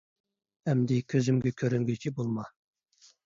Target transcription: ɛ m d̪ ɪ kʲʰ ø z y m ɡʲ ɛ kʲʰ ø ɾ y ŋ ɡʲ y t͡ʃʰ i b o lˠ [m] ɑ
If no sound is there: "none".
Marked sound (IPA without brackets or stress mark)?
m